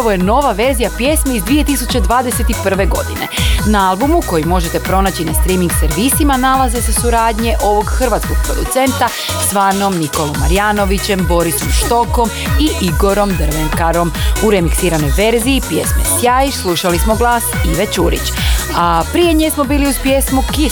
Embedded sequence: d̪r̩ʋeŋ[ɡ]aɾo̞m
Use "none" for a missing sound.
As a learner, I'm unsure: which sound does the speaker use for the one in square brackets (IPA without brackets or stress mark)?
k